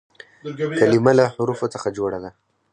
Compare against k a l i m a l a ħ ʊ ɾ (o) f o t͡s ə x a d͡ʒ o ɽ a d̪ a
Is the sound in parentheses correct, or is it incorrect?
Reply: incorrect